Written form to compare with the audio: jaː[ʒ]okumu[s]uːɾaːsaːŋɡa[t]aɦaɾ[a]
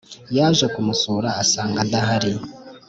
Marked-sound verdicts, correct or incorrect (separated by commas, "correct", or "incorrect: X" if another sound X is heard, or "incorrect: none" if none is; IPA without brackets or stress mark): correct, correct, incorrect: d, incorrect: i